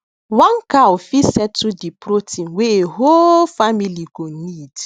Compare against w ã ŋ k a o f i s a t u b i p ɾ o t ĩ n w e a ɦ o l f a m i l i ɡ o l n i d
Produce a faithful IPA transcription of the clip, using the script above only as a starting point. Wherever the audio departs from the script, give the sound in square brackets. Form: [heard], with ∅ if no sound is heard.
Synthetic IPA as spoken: w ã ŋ k a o f i s [ɛ] t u [d] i p ɾ o t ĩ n w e [e] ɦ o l f a m i l i ɡ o [∅] n i d